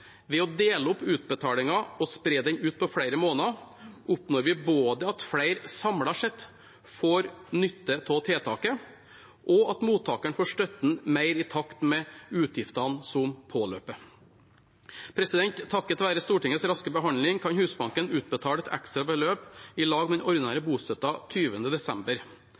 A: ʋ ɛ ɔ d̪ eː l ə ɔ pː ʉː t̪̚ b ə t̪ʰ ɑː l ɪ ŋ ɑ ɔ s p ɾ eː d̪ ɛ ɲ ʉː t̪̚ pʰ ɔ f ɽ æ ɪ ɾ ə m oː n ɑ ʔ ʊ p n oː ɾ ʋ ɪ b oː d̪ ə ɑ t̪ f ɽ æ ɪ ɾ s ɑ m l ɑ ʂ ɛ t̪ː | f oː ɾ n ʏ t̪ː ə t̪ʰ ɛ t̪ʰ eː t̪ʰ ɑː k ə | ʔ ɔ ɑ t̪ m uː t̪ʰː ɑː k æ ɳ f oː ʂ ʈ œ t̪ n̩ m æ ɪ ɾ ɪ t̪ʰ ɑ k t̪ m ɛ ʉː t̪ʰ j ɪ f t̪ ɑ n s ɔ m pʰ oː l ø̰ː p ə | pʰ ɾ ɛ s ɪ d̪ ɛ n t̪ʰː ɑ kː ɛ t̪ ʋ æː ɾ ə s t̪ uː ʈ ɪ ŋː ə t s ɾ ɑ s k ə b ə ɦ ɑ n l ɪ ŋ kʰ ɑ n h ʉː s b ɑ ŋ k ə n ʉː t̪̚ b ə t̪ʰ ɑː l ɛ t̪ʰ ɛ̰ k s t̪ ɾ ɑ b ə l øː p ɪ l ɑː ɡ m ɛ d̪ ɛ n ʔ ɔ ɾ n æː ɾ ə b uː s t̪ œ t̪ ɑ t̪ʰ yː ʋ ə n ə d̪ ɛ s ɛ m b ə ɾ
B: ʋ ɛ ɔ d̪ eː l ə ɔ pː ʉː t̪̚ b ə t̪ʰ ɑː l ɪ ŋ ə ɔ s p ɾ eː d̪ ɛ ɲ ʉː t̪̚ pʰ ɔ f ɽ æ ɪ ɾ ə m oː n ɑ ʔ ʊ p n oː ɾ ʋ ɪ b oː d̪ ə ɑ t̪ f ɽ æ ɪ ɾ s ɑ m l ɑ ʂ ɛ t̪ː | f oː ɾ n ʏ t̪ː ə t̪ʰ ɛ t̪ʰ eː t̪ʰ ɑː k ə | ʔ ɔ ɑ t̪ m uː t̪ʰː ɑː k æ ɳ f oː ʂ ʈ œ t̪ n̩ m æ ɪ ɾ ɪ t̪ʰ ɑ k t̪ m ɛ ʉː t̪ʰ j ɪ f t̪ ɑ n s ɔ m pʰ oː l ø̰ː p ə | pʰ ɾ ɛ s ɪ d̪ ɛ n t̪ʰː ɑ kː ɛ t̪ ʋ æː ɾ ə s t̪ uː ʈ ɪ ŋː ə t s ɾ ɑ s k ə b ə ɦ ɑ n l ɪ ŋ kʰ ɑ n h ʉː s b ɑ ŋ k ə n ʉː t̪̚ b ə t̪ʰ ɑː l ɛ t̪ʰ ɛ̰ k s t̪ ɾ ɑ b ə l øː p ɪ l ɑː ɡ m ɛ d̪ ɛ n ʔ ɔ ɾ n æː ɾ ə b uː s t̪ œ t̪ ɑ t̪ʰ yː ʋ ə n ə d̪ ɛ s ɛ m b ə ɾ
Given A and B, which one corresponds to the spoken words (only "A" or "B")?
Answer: A